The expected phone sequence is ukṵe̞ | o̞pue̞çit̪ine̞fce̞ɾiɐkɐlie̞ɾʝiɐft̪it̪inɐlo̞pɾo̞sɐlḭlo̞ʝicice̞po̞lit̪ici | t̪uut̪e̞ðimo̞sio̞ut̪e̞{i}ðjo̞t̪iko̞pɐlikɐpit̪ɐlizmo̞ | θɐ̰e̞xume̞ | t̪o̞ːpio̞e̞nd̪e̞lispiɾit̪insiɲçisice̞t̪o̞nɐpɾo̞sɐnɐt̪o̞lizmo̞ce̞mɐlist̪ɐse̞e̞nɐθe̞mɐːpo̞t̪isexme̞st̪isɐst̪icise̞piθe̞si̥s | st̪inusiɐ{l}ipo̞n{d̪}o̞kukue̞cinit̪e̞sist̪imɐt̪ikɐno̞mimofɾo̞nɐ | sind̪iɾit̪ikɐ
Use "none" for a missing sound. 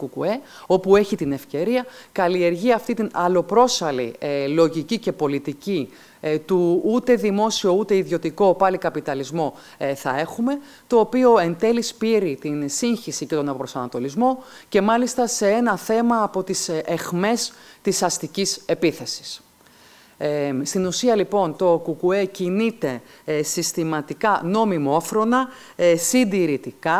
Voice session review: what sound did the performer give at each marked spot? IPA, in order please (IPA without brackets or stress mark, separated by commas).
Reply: i, l, t̪